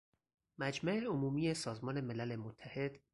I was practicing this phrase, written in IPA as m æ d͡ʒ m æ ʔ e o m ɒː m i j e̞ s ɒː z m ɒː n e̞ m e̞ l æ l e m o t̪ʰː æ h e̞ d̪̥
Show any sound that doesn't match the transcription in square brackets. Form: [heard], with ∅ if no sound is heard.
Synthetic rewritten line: m æ d͡ʒ m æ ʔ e o m [uː] m i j e̞ s ɒː z m ɒː n e̞ m e̞ l æ l e m o t̪ʰː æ h e̞ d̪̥